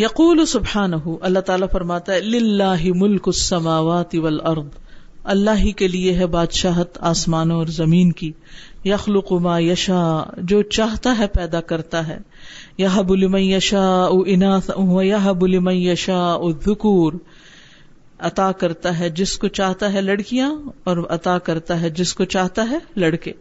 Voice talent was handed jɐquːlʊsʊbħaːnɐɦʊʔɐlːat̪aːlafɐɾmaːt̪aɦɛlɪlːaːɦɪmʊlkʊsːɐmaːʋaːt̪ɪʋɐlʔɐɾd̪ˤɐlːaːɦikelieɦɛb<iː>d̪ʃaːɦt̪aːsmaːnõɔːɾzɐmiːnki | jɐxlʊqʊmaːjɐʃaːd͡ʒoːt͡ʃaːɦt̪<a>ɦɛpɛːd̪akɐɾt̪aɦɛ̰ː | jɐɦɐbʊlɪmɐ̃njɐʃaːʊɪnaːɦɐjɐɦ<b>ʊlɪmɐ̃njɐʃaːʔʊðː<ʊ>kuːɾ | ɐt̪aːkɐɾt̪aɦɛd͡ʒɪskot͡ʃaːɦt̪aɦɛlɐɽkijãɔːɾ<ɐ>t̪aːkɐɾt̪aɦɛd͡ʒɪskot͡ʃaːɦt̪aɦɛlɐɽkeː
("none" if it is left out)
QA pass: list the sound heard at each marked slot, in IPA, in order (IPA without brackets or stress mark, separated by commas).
aː, a, b, ʊ, ɐ